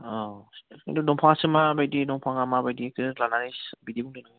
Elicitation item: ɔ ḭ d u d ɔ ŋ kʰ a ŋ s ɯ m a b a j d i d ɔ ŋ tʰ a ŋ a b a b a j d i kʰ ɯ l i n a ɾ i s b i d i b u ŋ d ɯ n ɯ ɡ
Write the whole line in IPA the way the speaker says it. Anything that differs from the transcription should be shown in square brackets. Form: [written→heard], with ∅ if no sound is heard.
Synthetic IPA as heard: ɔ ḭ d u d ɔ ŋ [kʰ→pʰ] a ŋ s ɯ m a b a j d i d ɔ ŋ [tʰ→pʰ] a ŋ a [b→m] a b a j d i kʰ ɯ l [i→a] n a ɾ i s b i d i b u ŋ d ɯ n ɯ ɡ